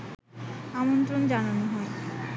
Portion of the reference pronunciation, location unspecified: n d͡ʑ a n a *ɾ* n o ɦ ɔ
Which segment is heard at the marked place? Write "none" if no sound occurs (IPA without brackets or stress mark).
none